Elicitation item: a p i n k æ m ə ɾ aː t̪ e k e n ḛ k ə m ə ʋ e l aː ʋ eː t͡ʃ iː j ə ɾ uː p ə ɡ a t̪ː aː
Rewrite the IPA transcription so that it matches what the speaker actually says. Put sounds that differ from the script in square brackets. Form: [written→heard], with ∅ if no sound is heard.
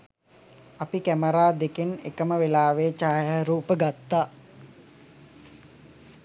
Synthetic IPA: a p i [n→∅] k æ m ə ɾ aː [t̪→d̪] e k e n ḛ k ə m ə ʋ e l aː ʋ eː t͡ʃ [iː→aː] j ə ɾ uː p ə ɡ a t̪ː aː